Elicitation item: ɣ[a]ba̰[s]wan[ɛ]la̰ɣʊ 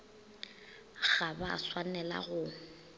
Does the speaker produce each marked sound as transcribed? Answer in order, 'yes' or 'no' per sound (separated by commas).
yes, yes, yes